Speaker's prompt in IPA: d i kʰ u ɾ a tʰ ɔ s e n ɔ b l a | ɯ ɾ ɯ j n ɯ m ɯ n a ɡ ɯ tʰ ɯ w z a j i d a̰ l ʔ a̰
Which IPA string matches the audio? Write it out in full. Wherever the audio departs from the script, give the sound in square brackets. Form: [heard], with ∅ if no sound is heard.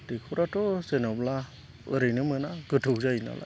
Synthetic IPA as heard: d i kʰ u ɾ a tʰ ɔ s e n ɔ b l a | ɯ ɾ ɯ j n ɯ m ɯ n a ɡ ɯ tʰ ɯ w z a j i [n] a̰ l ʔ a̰